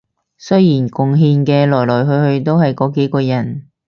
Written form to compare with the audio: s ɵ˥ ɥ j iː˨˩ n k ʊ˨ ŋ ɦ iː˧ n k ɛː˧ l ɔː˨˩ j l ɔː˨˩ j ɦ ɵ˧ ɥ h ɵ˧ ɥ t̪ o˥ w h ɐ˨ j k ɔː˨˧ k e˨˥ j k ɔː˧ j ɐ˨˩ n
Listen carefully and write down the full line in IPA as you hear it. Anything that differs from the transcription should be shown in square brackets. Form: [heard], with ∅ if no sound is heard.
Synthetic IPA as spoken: s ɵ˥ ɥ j iː˨˩ n k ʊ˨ ŋ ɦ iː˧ n k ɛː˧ l ɔː˨˩ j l ɔː˨˩ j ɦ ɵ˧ ɥ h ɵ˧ ɥ t̪ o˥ w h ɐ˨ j k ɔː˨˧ k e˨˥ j k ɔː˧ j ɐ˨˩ n